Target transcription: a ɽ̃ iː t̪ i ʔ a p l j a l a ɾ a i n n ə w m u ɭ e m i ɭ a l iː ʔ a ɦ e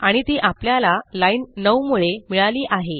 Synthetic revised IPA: a ɽ̃ i t̪ i ʔ a p l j a l a l a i n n ə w m u ɭ e m i ɭ a l iː ʔ a ɦ e